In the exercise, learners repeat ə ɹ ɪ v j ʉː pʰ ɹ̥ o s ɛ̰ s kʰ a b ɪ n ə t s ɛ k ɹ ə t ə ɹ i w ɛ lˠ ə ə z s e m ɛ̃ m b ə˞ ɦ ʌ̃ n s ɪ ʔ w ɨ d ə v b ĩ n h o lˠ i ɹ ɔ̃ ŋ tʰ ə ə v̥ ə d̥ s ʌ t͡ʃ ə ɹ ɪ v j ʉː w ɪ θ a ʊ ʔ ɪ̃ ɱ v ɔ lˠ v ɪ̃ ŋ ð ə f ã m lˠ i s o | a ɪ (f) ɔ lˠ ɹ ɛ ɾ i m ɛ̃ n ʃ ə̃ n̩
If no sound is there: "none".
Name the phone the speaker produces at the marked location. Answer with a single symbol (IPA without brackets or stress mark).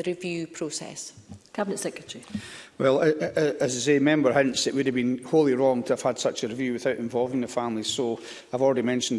v